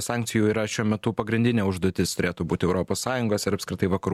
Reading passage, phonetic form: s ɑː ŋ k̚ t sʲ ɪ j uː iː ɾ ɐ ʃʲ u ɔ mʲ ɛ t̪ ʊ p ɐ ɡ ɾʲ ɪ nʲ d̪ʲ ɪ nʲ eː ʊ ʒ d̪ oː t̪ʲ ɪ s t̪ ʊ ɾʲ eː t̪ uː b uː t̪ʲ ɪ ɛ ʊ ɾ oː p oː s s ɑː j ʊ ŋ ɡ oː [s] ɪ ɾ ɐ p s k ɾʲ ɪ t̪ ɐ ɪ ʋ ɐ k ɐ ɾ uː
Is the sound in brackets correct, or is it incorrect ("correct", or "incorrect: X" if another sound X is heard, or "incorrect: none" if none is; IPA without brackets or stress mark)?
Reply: correct